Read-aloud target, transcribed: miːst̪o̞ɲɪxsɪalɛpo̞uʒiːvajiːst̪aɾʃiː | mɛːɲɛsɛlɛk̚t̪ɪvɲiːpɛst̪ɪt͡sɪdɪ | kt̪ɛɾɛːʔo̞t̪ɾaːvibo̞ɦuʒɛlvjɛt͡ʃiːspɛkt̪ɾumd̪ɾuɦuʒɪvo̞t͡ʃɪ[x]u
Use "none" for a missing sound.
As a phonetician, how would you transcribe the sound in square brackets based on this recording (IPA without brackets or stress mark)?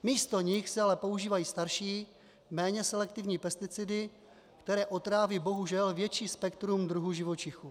x